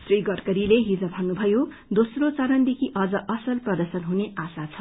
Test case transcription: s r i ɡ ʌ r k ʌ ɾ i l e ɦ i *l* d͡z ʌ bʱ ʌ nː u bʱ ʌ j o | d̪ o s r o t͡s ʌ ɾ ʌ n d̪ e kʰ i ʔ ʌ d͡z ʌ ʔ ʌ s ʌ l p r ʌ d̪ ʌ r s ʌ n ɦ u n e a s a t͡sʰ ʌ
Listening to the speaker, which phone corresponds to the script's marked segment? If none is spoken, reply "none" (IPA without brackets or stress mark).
none